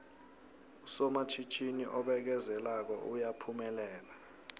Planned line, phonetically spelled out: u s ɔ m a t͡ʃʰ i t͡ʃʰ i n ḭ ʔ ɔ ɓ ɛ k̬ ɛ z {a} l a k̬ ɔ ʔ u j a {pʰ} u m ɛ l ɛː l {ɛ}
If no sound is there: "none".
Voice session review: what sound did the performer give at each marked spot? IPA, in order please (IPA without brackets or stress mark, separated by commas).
ɛ, pʰ, a